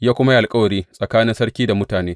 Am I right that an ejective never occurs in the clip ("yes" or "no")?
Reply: no